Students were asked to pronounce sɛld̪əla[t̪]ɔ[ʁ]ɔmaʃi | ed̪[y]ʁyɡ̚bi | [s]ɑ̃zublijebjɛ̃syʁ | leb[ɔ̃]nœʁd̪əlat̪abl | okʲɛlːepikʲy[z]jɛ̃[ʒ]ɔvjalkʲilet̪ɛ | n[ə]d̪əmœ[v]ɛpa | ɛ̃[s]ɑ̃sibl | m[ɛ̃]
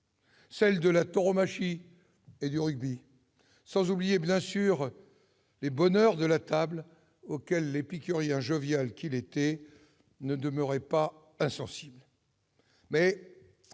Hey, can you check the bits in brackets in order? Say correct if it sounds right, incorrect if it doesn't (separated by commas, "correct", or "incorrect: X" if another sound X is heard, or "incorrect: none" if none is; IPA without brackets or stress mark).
correct, correct, correct, correct, incorrect: ɔ, incorrect: ʁ, correct, correct, incorrect: ʁ, correct, incorrect: ɛ